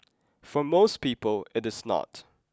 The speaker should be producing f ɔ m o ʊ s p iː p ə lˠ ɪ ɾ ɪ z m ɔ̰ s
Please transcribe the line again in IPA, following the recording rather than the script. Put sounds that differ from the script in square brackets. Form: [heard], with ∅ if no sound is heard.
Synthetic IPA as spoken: f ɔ m o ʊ s p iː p ə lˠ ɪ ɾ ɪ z [n] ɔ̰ [t]